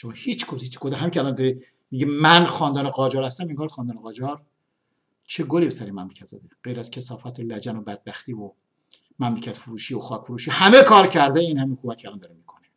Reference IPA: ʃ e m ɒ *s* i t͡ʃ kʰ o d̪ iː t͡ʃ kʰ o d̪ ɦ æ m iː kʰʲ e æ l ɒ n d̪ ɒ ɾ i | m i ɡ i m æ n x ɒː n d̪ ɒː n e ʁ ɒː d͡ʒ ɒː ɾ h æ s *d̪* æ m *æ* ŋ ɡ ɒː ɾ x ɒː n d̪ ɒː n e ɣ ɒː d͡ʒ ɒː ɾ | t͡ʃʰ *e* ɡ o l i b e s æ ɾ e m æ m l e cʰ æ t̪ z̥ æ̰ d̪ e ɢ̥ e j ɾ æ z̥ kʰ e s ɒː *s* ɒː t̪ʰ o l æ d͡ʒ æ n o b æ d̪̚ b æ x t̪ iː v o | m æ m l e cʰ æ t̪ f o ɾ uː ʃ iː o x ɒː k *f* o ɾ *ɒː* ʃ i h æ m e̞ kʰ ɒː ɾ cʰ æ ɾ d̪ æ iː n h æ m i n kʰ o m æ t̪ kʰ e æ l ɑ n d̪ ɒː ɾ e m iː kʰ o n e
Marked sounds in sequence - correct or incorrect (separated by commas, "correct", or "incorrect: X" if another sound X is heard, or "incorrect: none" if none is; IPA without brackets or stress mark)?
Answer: incorrect: h, incorrect: t̪, incorrect: e, correct, incorrect: f, correct, incorrect: uː